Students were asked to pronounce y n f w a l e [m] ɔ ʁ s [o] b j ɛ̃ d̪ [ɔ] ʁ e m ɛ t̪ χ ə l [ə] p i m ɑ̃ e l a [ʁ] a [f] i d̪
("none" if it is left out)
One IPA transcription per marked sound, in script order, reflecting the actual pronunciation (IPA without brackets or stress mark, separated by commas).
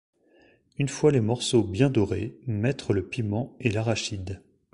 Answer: m, o, ɔ, ə, ʁ, ʃ